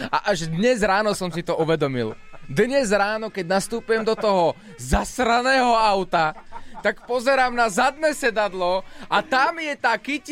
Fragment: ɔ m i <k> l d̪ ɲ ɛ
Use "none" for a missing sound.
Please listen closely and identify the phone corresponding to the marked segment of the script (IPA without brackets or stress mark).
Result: none